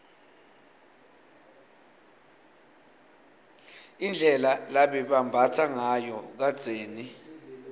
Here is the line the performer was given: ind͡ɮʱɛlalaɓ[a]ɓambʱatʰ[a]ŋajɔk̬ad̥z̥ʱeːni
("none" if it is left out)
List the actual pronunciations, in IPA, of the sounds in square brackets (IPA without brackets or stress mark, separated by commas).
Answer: ɛ, a